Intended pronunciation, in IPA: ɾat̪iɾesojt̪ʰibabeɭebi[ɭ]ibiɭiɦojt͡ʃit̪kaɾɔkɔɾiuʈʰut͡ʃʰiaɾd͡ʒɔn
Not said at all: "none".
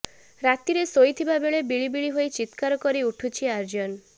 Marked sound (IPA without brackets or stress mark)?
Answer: ɭ